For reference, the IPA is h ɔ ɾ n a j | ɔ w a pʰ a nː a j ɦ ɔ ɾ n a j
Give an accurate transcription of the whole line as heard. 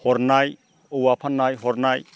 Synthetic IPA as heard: h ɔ ɾ n a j | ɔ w a pʰ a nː a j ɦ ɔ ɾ n a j